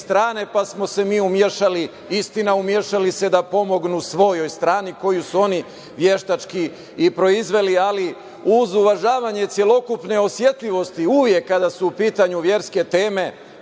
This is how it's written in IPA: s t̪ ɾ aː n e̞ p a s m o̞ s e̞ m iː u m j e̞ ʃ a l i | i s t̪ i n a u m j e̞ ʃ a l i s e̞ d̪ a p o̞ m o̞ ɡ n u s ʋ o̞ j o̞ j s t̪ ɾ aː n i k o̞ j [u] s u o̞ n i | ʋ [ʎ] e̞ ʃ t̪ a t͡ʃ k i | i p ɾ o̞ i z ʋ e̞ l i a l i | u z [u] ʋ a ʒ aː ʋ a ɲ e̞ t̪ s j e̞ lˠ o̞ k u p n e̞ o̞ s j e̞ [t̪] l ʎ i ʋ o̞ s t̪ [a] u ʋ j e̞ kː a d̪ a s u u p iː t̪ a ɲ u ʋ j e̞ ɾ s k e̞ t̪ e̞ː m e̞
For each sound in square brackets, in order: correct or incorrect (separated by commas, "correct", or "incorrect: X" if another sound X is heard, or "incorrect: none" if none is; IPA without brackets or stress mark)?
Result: correct, incorrect: j, correct, correct, incorrect: i